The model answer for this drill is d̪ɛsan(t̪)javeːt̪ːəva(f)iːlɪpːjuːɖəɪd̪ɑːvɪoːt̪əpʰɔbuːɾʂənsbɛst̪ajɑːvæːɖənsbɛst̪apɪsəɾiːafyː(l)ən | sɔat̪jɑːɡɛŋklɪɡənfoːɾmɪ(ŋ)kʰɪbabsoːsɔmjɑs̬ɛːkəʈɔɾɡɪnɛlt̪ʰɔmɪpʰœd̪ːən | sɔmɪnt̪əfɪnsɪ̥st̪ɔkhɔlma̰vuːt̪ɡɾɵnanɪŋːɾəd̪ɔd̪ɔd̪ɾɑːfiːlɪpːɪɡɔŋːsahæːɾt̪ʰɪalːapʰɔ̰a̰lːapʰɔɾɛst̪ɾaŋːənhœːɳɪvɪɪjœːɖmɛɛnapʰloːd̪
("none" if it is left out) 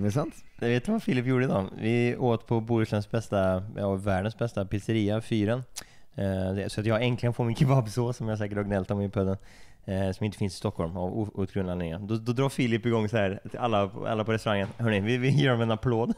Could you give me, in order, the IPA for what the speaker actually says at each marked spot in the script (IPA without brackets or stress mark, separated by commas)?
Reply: t̪, f, ɾ, n